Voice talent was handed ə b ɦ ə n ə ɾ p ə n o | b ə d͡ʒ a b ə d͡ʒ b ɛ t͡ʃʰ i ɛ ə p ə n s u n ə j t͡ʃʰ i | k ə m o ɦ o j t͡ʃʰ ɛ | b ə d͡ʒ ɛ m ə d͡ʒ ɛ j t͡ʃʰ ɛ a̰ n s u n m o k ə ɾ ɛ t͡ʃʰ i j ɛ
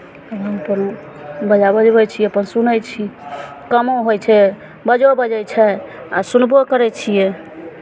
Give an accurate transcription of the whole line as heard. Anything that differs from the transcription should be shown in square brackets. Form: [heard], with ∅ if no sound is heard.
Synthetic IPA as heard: ə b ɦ ə [m] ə [∅] p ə n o | b ə d͡ʒ a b ə d͡ʒ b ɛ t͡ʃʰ i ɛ ə p ə n s u n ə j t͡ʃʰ i | k ə m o ɦ o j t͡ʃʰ ɛ | b ə d͡ʒ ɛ [b] ə d͡ʒ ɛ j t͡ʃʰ ɛ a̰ [∅] s u n [b] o k ə ɾ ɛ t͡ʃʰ i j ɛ

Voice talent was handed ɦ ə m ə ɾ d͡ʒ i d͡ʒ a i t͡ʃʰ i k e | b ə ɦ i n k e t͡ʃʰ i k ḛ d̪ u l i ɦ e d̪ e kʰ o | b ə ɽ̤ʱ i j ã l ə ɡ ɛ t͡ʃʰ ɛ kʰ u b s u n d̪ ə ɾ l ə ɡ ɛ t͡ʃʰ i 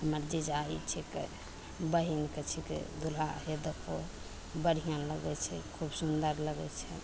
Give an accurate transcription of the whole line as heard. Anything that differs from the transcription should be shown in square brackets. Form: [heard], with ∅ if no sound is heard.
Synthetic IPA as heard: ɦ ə m ə ɾ d͡ʒ i d͡ʒ a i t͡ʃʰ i k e | b ə ɦ i n k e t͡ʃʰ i k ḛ d̪ u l [a] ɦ e d̪ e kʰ o | b ə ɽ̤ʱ i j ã l ə ɡ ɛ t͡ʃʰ ɛ kʰ u b s u n d̪ ə ɾ l ə ɡ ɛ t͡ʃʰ [ɛ]

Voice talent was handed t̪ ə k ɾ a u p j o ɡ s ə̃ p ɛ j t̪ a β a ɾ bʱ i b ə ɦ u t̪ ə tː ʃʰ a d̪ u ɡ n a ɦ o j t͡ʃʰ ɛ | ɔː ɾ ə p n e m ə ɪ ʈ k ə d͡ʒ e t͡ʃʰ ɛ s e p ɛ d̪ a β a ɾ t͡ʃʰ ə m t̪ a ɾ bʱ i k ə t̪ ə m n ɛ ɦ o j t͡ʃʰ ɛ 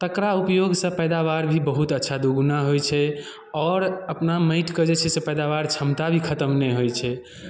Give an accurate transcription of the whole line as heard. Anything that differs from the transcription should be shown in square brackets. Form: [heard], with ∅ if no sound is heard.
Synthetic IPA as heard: t̪ ə k ɾ a u p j o ɡ s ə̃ p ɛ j [d̪] a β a ɾ bʱ i b ə ɦ u t̪ ə tː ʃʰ a d̪ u ɡ n a ɦ o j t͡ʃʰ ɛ | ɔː ɾ ə p n [a] m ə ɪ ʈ k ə d͡ʒ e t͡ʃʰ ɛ s e p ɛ d̪ a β a ɾ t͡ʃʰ ə m t̪ a [∅] bʱ i [kʰ] ə t̪ ə m n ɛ ɦ o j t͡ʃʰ ɛ

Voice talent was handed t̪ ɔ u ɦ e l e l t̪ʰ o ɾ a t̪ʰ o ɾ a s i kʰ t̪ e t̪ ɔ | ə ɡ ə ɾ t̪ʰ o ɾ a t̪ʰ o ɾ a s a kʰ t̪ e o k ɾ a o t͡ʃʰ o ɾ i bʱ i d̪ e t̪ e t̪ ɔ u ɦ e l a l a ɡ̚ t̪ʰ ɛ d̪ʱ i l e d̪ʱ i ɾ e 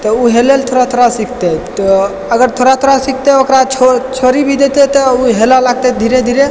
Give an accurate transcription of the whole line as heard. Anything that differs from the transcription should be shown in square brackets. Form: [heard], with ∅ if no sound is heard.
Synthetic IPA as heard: t̪ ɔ u ɦ e l e l t̪ʰ o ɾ a t̪ʰ o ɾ a s i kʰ t̪ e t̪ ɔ | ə ɡ ə ɾ t̪ʰ o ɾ a t̪ʰ o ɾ a s [i] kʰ t̪ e o k ɾ a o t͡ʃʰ o ɾ i bʱ i d̪ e t̪ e t̪ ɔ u ɦ e l a l a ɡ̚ [t̪] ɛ d̪ʱ i [ɾ] e d̪ʱ i ɾ e

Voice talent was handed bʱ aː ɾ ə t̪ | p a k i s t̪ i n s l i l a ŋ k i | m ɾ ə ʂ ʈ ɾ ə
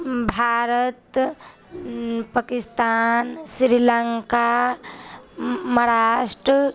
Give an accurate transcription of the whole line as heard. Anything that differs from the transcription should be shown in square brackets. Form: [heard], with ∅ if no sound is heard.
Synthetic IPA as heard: bʱ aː ɾ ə t̪ | p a k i s t̪ [a] n s [ɾ] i l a ŋ k [a] | m ɾ [a] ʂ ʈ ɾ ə

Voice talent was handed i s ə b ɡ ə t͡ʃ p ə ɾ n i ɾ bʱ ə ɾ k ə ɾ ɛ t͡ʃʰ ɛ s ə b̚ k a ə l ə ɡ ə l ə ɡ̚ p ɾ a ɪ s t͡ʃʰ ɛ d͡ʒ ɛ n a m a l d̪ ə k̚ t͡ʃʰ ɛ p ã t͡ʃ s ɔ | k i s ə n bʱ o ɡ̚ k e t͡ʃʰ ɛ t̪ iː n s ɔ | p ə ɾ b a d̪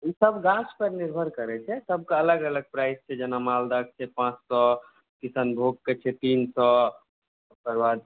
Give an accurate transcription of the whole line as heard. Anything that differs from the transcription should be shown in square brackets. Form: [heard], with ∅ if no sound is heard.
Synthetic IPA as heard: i s ə b ɡ [a] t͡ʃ p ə ɾ n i ɾ bʱ ə ɾ k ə ɾ ɛ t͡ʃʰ ɛ s ə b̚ k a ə l ə ɡ ə l ə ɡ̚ p ɾ a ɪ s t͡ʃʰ ɛ d͡ʒ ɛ n a m a l d̪ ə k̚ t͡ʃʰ ɛ p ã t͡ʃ s ɔ | k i s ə n bʱ o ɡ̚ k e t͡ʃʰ ɛ t̪ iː n s ɔ | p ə ɾ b a d̪

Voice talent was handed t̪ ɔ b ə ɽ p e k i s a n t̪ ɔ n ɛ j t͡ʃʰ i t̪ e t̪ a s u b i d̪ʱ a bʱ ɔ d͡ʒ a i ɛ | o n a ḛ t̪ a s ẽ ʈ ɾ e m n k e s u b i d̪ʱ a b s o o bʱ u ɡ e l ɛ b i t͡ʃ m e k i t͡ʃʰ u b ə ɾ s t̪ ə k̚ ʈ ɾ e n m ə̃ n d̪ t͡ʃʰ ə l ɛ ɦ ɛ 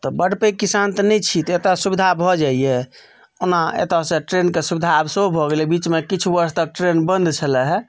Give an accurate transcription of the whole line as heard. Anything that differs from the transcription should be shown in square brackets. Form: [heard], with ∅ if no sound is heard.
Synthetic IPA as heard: t̪ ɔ b ə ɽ p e k i s a n t̪ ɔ n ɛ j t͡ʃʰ i t̪ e t̪ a s u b i d̪ʱ a bʱ ɔ d͡ʒ a i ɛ | o n a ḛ t̪ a s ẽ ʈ ɾ e [∅] n k e s u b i d̪ʱ a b s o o bʱ [ɔ] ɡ e l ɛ b i t͡ʃ m e k i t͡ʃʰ u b ə ɾ s t̪ ə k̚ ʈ ɾ e n [b] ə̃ n d̪ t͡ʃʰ ə l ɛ ɦ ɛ

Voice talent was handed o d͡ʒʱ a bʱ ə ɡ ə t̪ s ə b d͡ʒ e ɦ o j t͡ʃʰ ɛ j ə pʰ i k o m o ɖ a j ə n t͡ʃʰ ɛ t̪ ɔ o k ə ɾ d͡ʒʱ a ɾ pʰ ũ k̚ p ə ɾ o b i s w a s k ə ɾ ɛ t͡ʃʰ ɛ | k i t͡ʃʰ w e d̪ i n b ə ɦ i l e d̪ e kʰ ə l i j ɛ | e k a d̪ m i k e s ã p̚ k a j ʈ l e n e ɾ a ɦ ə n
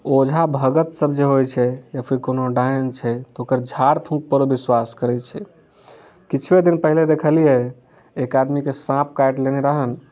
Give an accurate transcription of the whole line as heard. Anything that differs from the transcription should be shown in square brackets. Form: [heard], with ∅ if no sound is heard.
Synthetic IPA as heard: o d͡ʒʱ a bʱ ə ɡ ə t̪ s ə b d͡ʒ e ɦ o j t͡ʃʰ ɛ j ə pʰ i k o [n] o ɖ a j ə n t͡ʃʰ ɛ t̪ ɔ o k ə ɾ d͡ʒʱ a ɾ pʰ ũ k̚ p ə ɾ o b i s w a s k ə ɾ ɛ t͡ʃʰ ɛ | k i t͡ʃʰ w e d̪ i n [p] ə ɦ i l e d̪ e kʰ ə l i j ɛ | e k a d̪ m i k e s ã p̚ k a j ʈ l e n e ɾ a ɦ ə n

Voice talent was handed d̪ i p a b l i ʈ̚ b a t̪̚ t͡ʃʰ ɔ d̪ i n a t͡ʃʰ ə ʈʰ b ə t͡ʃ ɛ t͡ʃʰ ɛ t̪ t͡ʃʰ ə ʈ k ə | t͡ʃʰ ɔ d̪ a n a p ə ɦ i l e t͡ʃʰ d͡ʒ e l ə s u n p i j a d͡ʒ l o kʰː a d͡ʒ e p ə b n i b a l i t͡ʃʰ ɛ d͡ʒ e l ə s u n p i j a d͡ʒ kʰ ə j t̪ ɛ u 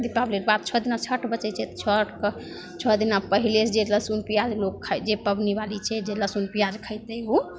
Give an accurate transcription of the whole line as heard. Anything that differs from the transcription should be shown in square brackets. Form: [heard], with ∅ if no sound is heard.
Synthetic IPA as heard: d̪ i p a b l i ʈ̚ b a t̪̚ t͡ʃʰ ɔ d̪ i n a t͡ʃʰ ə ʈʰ b ə t͡ʃ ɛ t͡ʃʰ ɛ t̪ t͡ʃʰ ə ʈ k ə | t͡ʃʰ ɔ d̪ [i] n a p ə ɦ i l e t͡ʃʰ d͡ʒ e l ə s u n p i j a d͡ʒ l o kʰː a d͡ʒ e p ə b n i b a l i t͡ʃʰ ɛ d͡ʒ e l ə s u n p i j a d͡ʒ kʰ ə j t̪ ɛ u

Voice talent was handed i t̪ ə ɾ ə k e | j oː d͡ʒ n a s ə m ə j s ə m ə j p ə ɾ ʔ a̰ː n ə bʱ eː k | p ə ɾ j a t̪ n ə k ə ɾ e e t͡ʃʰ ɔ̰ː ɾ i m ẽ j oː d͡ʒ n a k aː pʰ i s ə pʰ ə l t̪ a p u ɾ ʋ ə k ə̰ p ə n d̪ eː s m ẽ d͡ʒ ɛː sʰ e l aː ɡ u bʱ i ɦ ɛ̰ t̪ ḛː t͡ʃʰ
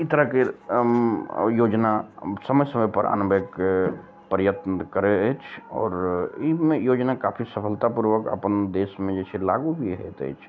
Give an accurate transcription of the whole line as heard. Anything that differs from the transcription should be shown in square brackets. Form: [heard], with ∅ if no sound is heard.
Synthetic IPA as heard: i t̪ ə ɾ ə k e | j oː d͡ʒ n a s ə m ə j s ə m ə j p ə ɾ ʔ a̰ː n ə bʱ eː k | p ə ɾ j [ə] t̪ n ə k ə ɾ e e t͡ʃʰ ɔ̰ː ɾ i m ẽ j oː d͡ʒ n a k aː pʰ i s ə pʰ ə l t̪ a p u ɾ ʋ ə k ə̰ p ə n d̪ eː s m ẽ d͡ʒ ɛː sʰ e l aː ɡ u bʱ i ɦ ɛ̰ t̪ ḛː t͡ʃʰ

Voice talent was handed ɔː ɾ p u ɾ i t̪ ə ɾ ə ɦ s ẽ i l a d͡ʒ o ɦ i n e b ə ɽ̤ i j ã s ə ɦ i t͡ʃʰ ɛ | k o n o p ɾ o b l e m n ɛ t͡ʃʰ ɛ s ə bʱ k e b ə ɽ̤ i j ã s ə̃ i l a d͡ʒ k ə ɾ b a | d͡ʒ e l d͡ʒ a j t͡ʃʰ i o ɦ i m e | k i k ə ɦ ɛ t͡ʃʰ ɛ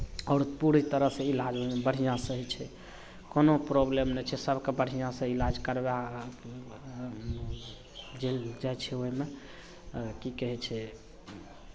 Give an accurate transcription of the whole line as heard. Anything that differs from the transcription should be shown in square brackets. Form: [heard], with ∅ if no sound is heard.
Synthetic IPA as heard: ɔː ɾ p u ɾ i t̪ ə ɾ ə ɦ s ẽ i l a d͡ʒ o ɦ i [m] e b ə ɽ̤ i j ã s ə ɦ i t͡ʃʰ ɛ | k o n o p ɾ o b l e m n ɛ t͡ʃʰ ɛ s ə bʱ k e b ə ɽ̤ i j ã s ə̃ i l a d͡ʒ k ə ɾ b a | d͡ʒ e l d͡ʒ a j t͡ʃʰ [ɛ] o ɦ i m e | k i k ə ɦ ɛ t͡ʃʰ ɛ

